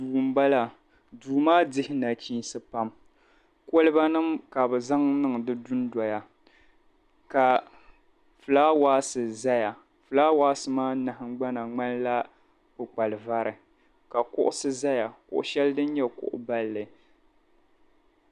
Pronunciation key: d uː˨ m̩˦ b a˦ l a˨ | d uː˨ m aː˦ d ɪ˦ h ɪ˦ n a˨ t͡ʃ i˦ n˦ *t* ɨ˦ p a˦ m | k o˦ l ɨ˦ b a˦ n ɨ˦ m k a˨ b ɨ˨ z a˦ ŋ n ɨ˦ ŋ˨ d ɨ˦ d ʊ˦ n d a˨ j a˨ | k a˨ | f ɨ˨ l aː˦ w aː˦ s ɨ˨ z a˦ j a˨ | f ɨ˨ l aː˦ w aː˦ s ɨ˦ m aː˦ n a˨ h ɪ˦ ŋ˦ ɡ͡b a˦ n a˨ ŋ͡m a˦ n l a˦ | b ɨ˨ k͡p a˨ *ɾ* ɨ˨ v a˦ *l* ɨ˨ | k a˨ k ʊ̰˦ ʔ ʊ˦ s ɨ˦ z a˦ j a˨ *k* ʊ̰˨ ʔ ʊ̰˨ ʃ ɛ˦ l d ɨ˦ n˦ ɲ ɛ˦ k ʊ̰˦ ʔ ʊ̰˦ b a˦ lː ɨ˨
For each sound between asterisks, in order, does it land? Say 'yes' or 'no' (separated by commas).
no, no, no, yes